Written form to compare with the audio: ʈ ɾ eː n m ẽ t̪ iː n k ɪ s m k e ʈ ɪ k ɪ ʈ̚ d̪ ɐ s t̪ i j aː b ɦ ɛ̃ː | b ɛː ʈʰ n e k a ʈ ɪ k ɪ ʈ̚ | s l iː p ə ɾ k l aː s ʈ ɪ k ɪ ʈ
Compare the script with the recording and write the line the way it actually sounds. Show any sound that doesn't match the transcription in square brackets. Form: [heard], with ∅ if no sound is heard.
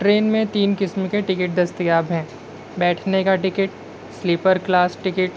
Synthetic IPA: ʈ ɾ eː n m ẽ t̪ iː n k ɪ s m k e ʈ ɪ k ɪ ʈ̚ d̪ ɐ s t̪ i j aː b ɦ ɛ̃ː | b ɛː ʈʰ n e k a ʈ ɪ k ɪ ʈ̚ | s l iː p ə ɾ k l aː s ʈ ɪ k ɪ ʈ